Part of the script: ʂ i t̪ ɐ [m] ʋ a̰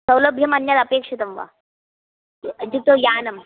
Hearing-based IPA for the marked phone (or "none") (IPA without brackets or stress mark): m